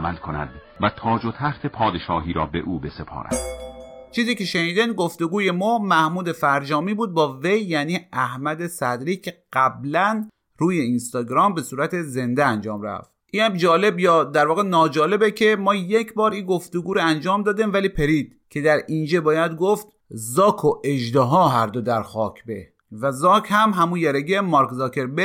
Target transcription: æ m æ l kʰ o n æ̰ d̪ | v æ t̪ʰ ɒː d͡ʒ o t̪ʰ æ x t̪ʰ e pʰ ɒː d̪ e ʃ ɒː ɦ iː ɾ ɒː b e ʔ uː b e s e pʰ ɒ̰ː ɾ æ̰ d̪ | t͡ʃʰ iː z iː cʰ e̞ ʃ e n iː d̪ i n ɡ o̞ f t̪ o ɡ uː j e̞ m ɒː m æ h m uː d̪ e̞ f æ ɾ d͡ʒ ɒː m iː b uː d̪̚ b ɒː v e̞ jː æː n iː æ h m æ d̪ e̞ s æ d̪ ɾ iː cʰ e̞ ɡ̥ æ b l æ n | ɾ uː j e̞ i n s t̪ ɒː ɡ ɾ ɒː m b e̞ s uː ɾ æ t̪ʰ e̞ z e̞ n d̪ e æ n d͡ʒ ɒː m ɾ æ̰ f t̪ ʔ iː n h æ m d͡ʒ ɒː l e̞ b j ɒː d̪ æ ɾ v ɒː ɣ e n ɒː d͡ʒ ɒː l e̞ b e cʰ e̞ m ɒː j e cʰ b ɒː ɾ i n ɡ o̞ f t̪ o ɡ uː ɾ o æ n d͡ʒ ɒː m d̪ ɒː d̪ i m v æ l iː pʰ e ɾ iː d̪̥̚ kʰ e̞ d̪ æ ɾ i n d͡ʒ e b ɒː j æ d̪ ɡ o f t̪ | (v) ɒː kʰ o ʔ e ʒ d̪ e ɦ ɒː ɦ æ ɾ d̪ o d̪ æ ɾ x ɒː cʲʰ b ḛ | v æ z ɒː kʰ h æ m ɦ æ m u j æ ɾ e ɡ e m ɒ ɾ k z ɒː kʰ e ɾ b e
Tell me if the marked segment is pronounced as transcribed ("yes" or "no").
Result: no